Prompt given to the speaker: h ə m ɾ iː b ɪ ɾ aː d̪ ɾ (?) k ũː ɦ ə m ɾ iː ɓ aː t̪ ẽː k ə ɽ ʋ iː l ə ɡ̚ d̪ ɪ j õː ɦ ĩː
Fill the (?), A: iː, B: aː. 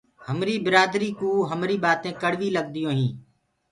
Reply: A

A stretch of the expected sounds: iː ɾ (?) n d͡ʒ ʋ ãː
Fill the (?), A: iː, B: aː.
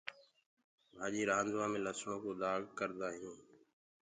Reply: B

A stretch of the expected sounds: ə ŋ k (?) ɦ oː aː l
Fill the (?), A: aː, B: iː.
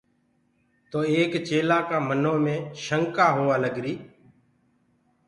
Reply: A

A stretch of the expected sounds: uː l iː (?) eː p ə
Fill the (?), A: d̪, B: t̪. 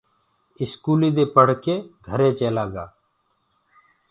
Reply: A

